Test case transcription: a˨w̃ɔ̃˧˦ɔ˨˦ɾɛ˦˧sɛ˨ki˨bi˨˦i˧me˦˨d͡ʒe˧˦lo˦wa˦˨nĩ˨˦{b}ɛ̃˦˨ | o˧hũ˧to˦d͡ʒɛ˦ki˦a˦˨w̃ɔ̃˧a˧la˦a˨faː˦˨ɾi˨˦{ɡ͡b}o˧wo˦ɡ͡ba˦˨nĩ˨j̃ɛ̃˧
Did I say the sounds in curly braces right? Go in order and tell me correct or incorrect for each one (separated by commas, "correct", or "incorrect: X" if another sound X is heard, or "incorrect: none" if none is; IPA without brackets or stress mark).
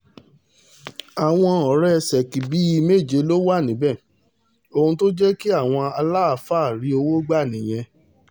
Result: correct, incorrect: none